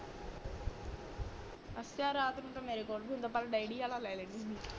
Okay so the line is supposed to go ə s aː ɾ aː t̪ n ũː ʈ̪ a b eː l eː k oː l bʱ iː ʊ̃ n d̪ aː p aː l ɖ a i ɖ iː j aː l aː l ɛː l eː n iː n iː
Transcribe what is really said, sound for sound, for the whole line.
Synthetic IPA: ə s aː ɾ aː t̪ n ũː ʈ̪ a m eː ɾ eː k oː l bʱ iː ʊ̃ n d̪ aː p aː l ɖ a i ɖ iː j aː l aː l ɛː l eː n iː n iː